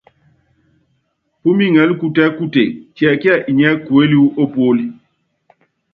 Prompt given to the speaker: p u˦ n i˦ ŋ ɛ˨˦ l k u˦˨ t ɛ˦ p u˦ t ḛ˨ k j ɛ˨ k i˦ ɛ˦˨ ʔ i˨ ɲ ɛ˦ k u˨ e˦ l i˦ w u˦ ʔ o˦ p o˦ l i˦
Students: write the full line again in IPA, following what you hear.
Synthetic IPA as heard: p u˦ m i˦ ŋ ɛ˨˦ l k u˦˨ t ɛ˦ k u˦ t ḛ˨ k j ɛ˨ k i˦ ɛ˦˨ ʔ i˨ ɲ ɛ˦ k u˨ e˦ l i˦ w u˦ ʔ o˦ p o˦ l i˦